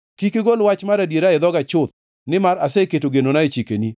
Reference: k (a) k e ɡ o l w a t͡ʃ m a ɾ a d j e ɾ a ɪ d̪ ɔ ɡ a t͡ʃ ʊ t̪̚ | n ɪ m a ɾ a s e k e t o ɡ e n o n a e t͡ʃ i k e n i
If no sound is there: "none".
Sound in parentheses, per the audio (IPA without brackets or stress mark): i